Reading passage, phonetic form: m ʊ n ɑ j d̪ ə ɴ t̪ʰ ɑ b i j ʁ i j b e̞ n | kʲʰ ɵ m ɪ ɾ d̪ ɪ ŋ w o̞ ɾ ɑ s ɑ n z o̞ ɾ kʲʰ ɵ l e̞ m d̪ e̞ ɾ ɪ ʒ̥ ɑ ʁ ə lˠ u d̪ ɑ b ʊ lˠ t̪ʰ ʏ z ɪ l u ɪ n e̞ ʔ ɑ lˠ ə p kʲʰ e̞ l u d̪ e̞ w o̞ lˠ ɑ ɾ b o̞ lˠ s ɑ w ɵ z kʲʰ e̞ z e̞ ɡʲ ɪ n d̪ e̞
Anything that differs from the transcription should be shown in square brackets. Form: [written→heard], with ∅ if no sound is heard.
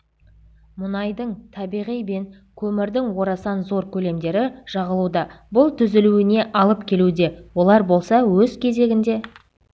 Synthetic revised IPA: m ʊ n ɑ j d̪ ə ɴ t̪ʰ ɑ b i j ʁ i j b e̞ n | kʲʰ ɵ m ɪ ɾ d̪ ɪ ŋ w o̞ ɾ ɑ s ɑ n z o̞ ɾ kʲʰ ɵ l e̞ m d̪ e̞ ɾ ɪ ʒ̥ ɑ ʁ ə lˠ u d̪ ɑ b ʊ lˠ t̪ʰ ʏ z ɪ l u ɪ n e̞ ʔ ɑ lˠ ə p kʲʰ e̞ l u d̪ e̞ w o̞ lˠ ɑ ɾ b o̞ lˠ s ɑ w ɵ z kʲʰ e̞ z e̞ ɡʲ ɪ n d̪ e̞